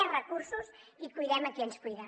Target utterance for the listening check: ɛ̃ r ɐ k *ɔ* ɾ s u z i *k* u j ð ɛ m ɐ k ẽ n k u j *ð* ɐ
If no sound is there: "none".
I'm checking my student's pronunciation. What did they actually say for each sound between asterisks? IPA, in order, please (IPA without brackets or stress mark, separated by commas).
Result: u, k, ð